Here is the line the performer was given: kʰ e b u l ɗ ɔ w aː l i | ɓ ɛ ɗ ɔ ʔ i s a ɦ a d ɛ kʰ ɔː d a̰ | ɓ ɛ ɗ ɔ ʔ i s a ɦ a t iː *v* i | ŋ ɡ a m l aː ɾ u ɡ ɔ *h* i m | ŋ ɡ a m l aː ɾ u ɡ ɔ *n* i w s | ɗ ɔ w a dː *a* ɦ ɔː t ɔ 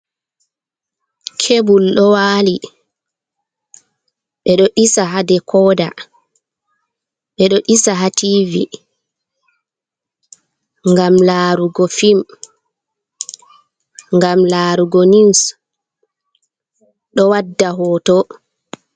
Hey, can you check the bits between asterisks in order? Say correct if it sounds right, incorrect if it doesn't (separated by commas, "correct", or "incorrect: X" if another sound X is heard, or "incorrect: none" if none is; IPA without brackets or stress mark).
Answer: correct, incorrect: f, correct, correct